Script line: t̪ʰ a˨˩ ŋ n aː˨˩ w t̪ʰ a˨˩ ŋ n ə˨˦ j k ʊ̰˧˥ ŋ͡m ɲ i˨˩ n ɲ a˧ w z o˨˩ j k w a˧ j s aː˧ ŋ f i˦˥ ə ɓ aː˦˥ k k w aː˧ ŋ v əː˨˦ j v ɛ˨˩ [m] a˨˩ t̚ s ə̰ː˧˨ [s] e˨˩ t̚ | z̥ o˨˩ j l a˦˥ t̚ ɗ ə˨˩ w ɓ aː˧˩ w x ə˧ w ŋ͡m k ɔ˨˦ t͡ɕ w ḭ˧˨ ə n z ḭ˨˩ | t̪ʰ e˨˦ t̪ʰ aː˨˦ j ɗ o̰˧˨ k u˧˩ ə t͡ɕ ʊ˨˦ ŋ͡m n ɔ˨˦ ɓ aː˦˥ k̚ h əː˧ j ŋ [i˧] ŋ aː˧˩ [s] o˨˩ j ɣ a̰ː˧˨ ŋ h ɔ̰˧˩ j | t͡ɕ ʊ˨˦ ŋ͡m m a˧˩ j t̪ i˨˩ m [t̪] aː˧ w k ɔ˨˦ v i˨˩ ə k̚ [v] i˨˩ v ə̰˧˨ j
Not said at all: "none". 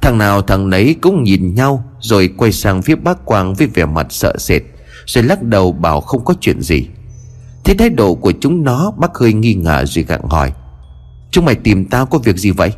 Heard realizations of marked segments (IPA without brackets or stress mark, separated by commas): m, s, i˧, z, t̪, z